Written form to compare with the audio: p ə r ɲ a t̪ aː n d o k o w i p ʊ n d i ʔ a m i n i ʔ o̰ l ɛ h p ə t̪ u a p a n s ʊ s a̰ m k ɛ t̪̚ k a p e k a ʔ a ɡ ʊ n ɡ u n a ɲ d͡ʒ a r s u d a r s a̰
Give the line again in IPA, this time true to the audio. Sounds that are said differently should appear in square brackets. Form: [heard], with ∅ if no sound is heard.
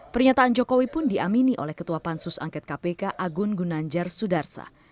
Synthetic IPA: p ə r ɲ a t̪ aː n [d͡ʒ] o k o w i p ʊ n d i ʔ a m i n i ʔ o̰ l ɛ h [k] ə t̪ u a p a n s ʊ s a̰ [ŋ] k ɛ t̪̚ k a p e k a ʔ a ɡ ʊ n ɡ u n a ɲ d͡ʒ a r s u d a r s a̰